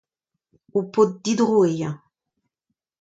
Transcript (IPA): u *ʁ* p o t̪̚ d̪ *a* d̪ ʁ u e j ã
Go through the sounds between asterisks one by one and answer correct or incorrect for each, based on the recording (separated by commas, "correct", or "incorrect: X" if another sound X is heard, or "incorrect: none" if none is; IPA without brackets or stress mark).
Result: incorrect: none, incorrect: i